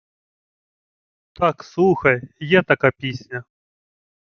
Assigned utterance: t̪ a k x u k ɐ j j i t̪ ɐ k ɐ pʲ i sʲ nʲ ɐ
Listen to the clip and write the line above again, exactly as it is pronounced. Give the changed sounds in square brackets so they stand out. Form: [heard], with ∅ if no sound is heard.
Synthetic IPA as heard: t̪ a k [s] u [x] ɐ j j [a] t̪ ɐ k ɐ pʲ i sʲ nʲ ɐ